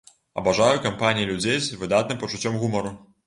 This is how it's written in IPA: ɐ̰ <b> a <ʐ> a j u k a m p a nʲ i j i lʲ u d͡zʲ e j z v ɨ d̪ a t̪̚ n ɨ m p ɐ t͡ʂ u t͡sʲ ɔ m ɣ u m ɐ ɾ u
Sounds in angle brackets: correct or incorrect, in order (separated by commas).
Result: correct, correct